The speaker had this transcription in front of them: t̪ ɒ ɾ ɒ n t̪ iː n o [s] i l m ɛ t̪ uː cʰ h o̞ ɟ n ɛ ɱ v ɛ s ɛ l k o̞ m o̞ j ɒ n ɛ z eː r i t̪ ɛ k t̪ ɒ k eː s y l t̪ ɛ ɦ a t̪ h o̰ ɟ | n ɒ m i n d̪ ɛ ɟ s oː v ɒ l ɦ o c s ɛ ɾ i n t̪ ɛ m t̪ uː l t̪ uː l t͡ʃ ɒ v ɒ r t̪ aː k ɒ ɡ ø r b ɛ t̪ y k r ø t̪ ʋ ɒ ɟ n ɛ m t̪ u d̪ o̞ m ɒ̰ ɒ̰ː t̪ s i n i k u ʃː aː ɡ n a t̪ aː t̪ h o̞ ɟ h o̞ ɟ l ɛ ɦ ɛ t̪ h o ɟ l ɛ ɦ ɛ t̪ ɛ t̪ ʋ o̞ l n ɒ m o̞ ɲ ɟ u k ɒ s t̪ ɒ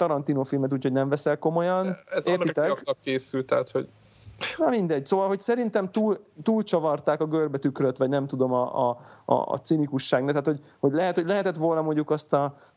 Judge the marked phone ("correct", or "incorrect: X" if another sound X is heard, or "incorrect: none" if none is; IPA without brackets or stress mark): incorrect: f